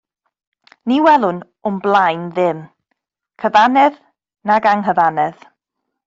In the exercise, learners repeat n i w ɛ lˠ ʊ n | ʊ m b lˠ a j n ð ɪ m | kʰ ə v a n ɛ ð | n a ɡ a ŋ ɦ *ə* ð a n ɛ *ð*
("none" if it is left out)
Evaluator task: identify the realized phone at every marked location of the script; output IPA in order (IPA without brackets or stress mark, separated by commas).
ə, ð